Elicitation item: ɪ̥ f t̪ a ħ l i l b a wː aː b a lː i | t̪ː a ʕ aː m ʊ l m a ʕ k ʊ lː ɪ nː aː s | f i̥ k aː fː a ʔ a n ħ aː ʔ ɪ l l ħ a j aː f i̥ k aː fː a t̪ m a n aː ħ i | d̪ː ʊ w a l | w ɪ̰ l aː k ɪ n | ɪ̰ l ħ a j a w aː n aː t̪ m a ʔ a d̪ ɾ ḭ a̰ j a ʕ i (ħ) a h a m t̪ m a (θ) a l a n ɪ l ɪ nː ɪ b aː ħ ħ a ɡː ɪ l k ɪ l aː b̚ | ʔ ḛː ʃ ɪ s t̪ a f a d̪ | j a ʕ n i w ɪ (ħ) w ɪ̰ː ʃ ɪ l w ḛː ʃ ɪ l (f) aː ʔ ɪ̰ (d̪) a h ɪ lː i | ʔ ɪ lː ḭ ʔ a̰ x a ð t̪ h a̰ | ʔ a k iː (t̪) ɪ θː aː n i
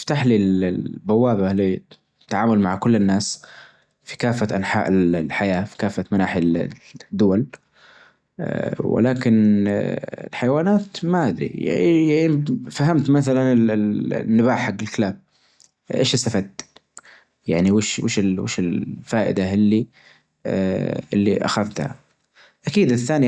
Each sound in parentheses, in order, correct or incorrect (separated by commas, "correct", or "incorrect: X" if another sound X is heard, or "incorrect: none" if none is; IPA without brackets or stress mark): incorrect: f, correct, incorrect: ʃ, correct, correct, incorrect: d̪